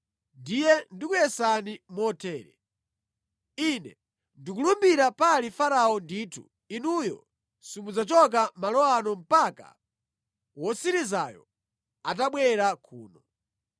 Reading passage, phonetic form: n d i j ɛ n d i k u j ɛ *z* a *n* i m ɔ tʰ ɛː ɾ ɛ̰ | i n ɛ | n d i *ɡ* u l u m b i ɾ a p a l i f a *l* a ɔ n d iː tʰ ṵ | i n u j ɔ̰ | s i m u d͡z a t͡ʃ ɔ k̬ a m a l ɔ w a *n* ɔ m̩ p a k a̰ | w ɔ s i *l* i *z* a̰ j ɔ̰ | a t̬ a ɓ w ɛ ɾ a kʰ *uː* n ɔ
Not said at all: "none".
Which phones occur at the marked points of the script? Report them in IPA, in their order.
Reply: s, n, k, ɾ, n, ɾ, z, uː

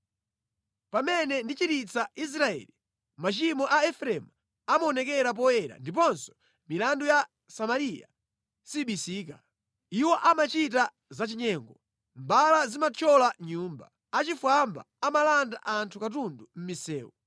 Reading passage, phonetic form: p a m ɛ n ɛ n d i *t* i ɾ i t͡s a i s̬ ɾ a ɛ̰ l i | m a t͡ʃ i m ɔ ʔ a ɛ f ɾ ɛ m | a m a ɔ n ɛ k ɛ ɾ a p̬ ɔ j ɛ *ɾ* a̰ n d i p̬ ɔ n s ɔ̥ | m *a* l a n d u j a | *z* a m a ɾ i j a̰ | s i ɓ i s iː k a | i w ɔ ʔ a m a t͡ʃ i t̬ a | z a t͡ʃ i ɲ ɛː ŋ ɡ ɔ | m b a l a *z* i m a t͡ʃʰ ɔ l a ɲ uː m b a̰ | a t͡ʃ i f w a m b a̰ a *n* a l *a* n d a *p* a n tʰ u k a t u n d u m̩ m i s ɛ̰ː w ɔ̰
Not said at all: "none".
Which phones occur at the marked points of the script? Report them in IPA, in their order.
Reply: t͡ʃ, ɾ, i, s, z, m, a, ʔ

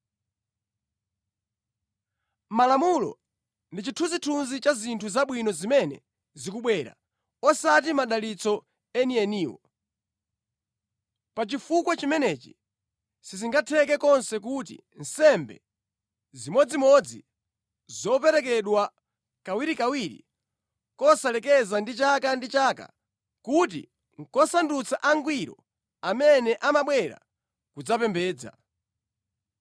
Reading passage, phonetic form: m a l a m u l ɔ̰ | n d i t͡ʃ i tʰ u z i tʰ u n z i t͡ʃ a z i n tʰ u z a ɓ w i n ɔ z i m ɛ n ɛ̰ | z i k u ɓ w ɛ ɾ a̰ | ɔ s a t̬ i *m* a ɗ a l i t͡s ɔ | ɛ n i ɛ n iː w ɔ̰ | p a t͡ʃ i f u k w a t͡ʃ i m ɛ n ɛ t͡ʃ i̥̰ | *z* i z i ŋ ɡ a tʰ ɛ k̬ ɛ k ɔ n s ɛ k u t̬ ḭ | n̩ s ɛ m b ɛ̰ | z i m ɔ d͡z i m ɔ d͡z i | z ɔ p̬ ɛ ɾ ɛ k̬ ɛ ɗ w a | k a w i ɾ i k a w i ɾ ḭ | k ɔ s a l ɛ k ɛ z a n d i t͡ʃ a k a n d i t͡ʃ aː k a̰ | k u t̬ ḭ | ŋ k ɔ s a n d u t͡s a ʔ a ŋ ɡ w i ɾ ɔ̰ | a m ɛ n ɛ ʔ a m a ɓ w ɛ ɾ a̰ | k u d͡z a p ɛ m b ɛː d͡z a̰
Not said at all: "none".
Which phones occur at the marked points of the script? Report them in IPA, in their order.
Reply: m, s

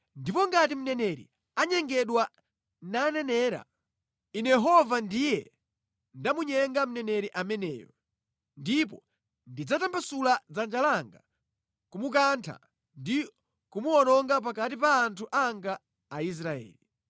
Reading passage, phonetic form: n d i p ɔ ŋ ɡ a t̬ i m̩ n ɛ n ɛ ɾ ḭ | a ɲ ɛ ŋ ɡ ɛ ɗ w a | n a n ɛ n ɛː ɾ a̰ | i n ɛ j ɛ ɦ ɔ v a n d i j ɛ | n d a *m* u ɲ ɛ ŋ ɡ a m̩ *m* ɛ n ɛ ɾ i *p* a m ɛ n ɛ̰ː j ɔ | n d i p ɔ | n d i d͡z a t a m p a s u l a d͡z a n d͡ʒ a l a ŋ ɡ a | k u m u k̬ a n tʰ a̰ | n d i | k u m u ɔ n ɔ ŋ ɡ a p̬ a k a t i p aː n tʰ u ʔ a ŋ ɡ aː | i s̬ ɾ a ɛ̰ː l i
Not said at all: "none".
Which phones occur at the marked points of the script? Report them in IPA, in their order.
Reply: m, n, ʔ

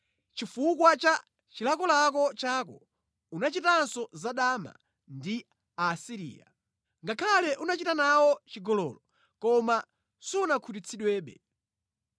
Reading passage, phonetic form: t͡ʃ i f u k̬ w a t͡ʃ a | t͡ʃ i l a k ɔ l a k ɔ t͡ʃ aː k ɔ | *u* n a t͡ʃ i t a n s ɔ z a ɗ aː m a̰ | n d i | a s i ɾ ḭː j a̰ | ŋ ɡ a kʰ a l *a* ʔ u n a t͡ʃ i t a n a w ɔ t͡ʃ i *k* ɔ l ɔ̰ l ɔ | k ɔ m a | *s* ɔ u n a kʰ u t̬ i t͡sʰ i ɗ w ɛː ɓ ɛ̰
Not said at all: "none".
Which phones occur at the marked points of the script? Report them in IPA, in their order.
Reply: u, ɛ, ɡ, s

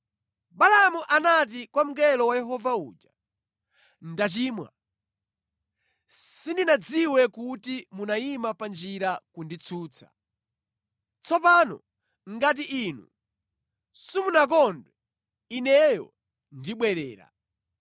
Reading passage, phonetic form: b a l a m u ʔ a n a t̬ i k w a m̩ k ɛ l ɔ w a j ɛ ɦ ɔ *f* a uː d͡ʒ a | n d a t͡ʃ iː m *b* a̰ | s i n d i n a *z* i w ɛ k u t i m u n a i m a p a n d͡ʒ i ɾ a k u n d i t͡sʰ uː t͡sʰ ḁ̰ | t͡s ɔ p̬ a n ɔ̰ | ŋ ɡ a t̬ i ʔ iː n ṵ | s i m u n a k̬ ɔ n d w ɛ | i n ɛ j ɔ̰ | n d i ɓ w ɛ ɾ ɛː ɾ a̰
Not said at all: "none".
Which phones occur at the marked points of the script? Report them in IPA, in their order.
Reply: v, w, d͡z

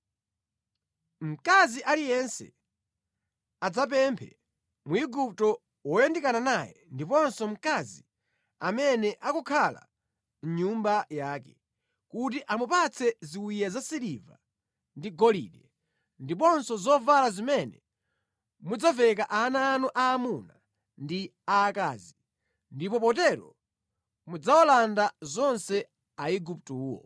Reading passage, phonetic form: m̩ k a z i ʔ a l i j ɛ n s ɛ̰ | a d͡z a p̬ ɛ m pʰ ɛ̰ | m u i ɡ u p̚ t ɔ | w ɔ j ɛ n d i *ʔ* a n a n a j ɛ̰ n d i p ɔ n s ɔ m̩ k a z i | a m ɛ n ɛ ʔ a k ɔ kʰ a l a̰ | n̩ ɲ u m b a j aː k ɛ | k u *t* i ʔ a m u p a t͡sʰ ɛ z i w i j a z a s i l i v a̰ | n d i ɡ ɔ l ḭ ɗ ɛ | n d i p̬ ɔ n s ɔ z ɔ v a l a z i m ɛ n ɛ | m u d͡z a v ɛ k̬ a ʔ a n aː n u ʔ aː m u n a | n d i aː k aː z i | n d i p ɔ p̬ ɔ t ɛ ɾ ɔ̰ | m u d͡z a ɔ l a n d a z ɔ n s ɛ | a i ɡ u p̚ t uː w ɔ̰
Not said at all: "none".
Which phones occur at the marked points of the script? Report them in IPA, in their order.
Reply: k, t

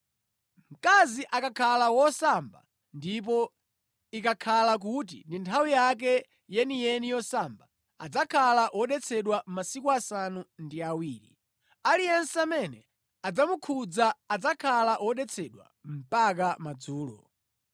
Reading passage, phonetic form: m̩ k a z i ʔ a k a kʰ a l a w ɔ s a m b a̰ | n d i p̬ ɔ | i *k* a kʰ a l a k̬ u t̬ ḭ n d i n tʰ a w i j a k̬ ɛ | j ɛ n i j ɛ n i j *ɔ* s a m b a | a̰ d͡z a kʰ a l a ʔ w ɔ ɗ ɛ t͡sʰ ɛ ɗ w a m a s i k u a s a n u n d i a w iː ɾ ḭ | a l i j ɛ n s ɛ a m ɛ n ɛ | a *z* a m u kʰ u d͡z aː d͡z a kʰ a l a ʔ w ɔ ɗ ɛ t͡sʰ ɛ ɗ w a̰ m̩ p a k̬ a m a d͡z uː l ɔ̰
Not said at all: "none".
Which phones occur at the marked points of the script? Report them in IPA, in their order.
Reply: k, ɔ, d͡z

